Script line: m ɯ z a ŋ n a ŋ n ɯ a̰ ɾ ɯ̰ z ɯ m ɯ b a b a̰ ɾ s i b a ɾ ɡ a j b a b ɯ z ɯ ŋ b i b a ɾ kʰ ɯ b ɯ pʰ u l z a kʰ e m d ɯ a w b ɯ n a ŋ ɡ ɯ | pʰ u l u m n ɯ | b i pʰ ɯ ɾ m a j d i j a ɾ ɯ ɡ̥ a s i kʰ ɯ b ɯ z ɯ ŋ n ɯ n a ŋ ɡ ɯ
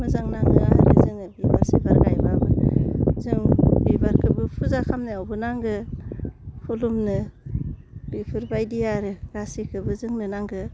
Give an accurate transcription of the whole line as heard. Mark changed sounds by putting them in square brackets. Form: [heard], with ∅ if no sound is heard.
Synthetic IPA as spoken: m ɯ z a ŋ n a ŋ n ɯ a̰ ɾ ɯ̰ z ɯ [ŋ] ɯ b [i] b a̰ ɾ s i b a ɾ ɡ a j b a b ɯ z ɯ ŋ b i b a ɾ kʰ ɯ b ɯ pʰ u [∅] z a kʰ [a] m [n] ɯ a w b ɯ n a ŋ ɡ ɯ | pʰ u l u m n ɯ | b i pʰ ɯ ɾ [b] a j d i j a ɾ ɯ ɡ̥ a s i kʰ ɯ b ɯ z ɯ ŋ n ɯ n a ŋ ɡ ɯ